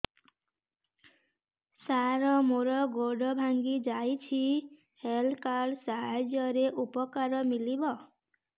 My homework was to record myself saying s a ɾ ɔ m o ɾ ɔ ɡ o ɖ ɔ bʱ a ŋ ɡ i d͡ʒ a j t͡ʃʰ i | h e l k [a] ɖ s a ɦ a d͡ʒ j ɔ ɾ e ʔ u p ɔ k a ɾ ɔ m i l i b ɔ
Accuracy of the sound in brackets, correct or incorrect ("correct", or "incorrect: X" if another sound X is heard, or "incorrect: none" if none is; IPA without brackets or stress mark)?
correct